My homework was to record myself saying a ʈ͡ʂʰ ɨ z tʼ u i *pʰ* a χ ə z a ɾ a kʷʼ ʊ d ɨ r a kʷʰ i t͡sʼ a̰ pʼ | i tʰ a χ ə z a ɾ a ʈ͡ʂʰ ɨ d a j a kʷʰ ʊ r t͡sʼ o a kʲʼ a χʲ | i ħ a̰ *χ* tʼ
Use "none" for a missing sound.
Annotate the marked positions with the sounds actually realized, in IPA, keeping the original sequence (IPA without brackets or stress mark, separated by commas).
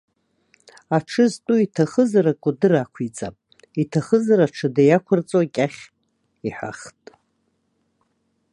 tʰ, χ